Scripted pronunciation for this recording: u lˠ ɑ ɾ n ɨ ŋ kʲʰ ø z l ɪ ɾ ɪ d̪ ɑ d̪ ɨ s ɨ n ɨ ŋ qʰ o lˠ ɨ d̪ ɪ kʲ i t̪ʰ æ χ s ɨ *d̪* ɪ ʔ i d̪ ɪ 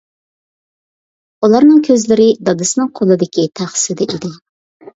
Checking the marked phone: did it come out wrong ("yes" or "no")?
no